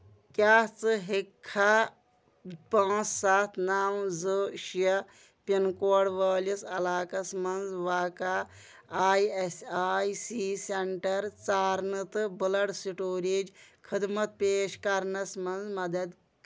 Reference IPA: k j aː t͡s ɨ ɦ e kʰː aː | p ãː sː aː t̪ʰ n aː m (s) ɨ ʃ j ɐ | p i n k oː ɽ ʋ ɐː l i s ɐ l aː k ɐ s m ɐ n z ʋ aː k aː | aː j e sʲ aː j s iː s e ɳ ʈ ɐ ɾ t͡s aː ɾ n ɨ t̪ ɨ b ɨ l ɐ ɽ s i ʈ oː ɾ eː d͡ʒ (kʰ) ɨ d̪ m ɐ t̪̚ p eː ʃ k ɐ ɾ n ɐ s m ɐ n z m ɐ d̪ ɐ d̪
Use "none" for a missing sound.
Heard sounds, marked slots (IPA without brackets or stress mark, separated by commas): z, kʰ